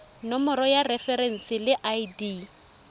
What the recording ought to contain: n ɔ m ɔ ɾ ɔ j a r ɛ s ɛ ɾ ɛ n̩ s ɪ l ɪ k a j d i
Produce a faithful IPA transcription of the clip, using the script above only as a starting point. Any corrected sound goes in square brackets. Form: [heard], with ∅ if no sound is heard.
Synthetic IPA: n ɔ m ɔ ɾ ɔ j a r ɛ [f] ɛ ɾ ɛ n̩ s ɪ l ɪ [ʔ] a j d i